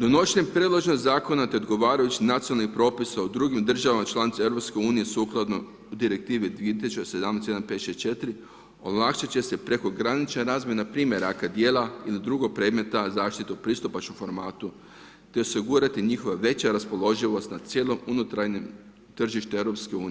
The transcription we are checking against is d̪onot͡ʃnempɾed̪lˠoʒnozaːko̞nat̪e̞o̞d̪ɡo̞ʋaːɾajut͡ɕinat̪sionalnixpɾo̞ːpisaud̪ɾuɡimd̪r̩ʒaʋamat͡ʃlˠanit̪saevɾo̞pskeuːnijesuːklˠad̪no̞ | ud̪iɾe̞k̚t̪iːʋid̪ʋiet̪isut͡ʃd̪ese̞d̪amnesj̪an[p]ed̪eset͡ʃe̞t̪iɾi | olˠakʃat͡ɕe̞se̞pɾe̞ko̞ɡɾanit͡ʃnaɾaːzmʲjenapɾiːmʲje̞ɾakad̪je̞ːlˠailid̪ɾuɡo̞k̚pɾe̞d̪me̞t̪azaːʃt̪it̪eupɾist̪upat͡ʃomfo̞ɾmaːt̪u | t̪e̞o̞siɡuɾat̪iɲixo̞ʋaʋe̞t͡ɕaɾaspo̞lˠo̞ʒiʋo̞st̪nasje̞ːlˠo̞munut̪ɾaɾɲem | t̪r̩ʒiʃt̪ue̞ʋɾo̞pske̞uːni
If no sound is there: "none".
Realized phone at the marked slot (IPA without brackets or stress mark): p